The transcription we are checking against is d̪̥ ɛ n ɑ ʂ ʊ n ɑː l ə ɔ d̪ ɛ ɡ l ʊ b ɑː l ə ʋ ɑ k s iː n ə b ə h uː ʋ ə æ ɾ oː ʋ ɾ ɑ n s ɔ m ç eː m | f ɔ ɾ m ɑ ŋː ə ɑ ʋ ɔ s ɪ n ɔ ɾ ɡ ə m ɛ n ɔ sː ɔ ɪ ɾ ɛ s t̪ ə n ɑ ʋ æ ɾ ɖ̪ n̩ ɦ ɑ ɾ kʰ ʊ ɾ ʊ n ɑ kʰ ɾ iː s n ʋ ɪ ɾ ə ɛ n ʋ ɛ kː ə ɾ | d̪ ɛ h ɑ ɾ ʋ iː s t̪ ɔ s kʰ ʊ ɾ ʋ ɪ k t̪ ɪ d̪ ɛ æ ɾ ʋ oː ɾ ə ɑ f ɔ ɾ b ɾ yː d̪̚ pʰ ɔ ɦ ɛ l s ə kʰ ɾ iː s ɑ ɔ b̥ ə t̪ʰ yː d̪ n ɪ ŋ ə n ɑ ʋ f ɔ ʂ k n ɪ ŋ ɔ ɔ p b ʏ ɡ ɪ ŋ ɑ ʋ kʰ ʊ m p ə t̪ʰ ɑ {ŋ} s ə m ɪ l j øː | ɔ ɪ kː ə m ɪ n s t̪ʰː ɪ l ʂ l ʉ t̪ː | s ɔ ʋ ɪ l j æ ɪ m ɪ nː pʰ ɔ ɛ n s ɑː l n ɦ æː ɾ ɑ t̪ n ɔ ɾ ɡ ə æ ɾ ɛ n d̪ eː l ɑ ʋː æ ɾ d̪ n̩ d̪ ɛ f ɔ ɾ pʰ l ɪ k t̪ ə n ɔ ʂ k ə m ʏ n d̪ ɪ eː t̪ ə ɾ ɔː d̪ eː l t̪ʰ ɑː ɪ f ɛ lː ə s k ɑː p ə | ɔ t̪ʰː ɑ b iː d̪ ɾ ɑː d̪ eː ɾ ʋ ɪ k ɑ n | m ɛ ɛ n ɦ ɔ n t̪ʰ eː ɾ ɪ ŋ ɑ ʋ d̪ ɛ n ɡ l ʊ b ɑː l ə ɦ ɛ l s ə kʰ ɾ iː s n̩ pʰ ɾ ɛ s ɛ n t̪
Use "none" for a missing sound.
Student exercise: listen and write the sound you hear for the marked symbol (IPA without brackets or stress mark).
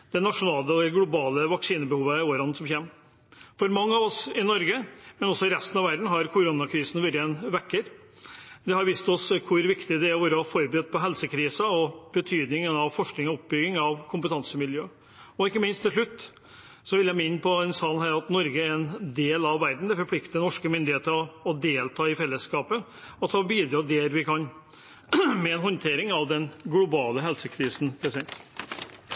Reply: n